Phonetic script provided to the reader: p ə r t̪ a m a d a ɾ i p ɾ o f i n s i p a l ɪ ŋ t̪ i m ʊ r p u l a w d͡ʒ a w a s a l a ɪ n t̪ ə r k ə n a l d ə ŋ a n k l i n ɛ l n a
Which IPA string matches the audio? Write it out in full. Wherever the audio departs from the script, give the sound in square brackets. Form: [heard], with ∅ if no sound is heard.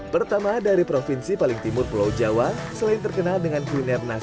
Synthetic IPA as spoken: p ə r t̪ a m a d a ɾ i p ɾ o f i n s i p a l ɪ ŋ t̪ i m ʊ r p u l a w d͡ʒ a w a s [ə] l a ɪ n t̪ ə r k ə n a l d ə ŋ a n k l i n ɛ [r] n a

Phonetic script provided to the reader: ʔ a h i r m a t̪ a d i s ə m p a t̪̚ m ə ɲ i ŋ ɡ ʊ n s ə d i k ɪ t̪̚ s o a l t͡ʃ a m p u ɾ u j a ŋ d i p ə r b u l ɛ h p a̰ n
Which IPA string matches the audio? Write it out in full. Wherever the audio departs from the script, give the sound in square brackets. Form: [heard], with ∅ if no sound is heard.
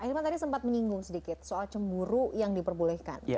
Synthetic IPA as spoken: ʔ a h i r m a t̪ a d i s ə m p a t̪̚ m ə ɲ i ŋ ɡ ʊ [ŋ] s ə d i k ɪ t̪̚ s o a l t͡ʃ [ə] m [b] u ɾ u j a ŋ d i p ə r b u l ɛ h [k] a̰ n

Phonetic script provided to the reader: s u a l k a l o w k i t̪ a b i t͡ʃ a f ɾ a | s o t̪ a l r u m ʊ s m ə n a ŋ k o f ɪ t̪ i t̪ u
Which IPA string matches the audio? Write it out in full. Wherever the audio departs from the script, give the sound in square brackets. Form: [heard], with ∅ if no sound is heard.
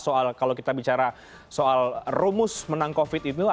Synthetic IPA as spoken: s [o] a l k a l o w k i t̪ a b i t͡ʃ a [∅] ɾ a | s o [∅] a l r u m ʊ s m ə n a ŋ k o f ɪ t̪ i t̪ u

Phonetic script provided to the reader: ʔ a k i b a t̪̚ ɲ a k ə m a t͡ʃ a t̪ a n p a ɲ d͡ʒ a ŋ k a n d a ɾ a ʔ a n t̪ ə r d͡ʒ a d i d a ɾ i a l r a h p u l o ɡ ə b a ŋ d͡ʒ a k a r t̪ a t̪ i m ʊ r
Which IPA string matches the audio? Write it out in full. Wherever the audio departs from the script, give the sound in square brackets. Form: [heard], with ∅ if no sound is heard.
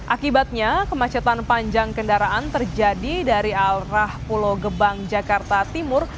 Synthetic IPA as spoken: ʔ a k i b a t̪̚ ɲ a k ə m a t͡ʃ a t̪ a n p a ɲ d͡ʒ a ŋ k [ə] n d a ɾ a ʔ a n t̪ ə r d͡ʒ a d i d a ɾ i a l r a h p u l o ɡ ə b a ŋ d͡ʒ a k a r t̪ a t̪ i m ʊ r

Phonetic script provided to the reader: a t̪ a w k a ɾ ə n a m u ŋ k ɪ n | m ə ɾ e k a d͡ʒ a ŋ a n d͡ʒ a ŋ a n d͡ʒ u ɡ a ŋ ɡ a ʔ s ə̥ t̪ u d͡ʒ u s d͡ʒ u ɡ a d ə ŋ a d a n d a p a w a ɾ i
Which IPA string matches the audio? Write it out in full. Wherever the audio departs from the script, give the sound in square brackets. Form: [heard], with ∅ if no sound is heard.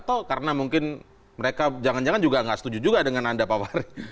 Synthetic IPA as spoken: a t̪ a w k a ɾ ə n a m u ŋ k ɪ n | m ə ɾ e k a d͡ʒ a ŋ a n d͡ʒ a ŋ a n d͡ʒ u ɡ a ŋ ɡ a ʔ s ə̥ t̪ u d͡ʒ u [∅] d͡ʒ u ɡ a d ə ŋ a [n] a n d a p a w a ɾ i

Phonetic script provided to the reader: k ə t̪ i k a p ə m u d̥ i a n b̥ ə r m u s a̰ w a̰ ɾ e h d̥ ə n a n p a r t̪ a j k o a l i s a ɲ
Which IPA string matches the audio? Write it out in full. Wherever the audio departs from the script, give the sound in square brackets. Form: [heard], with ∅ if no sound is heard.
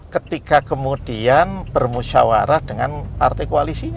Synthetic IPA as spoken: k ə t̪ i k a [k] ə m u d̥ i a n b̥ ə r m u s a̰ w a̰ ɾ [a] h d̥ ə [ŋ] a n p a r t̪ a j k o a l i s [i] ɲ

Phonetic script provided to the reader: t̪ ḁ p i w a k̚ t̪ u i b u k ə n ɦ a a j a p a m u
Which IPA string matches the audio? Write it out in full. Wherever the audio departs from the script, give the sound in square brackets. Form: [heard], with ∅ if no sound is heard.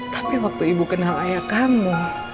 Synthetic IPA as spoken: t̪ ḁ p i w a k̚ t̪ u i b u k ə n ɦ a a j a [k] a m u

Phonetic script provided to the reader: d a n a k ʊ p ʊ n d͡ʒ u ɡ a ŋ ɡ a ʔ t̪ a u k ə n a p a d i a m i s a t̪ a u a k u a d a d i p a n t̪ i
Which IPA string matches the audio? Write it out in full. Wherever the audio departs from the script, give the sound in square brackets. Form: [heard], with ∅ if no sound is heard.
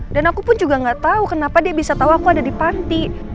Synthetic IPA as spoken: d a n a k [u] p ʊ n d͡ʒ u ɡ a ŋ ɡ a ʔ t̪ a u k ə n a p a d i a [b] i s a t̪ a u a k u a d a d i p a n t̪ i

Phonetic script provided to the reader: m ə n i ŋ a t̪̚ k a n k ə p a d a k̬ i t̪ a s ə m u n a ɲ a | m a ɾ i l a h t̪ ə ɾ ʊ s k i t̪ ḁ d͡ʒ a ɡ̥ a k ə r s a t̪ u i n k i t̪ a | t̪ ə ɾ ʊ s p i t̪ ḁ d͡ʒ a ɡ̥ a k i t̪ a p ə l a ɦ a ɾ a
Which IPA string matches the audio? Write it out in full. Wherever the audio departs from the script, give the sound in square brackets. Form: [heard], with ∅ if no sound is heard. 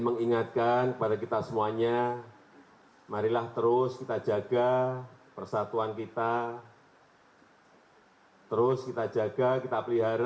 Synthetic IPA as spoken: m ə [ŋ] i ŋ a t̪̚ k a n k ə p a d a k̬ i t̪ a s ə m u [∅] a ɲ a | m a ɾ i l a h t̪ ə ɾ ʊ s k i t̪ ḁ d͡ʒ a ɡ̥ a [p] ə r s a t̪ u [a] n k i t̪ a | t̪ ə ɾ ʊ s [k] i t̪ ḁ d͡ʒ a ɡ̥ a k i t̪ a p ə l [i] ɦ a ɾ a

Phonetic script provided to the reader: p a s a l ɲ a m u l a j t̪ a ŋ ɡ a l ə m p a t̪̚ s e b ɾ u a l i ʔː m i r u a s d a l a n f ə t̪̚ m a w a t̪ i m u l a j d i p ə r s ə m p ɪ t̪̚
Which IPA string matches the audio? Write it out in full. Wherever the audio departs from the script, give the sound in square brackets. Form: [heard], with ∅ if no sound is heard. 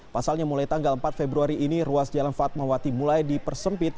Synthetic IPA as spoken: p a s a l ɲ a m u l a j t̪ a ŋ ɡ a l ə m p a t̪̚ [f] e b ɾ u a [ɾ] i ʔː [n] i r u a s [d͡ʒ] a l a n f [a] t̪̚ m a w a t̪ i m u l a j d i p ə r s ə m p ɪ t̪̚

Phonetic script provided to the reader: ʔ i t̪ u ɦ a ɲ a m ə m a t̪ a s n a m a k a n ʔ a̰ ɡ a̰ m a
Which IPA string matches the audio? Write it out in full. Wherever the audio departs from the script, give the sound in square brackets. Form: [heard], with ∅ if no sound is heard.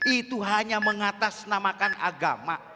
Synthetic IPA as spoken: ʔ i t̪ u ɦ a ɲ a m ə [ŋ] a t̪ a s n a m a k a n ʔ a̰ ɡ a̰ m a

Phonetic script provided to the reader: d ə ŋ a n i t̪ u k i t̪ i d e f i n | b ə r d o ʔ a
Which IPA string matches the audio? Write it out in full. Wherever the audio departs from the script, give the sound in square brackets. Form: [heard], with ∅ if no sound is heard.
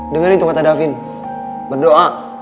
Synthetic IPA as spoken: d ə ŋ a n i t̪ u k [a] t̪ [a] d [a] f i n | b ə r d o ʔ a

